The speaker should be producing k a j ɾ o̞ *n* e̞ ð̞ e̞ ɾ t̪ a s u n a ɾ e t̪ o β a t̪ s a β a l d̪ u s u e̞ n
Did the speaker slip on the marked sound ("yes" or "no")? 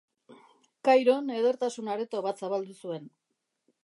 no